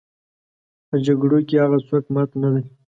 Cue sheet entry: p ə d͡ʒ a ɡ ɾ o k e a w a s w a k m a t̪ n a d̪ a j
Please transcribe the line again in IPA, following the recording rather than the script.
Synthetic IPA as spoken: p ə d͡ʒ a ɡ ɽ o k e a ɣ a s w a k m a t̪ n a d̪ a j